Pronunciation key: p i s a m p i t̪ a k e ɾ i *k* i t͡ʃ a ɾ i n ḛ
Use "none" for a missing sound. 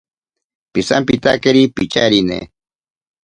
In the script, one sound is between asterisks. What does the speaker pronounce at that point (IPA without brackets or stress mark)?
p